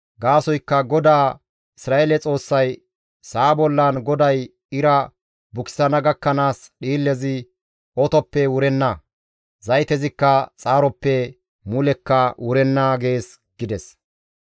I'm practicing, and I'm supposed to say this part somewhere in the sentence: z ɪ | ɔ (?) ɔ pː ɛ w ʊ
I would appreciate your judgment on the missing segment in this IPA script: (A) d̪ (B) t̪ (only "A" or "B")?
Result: B